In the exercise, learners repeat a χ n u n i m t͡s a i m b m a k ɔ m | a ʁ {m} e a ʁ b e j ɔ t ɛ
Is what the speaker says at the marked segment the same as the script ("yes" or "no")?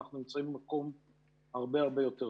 no